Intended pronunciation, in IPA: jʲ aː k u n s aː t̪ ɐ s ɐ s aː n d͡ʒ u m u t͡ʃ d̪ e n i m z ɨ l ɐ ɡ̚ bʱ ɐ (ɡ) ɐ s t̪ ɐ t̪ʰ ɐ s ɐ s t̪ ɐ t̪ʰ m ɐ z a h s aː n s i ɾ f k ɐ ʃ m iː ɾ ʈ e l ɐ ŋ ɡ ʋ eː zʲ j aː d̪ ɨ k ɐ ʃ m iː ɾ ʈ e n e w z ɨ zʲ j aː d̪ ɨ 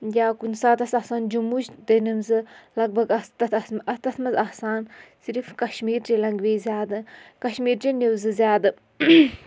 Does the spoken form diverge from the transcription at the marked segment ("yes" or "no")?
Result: no